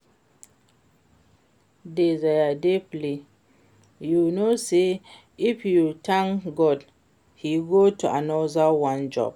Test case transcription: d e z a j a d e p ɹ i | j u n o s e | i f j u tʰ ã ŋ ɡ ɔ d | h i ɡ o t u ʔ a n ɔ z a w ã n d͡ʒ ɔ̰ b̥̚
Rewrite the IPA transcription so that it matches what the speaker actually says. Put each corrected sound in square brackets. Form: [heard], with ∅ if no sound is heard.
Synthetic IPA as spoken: d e z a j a d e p [l] i | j u n o s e | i f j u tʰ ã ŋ ɡ ɔ d | h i ɡ o t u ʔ a n ɔ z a w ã n d͡ʒ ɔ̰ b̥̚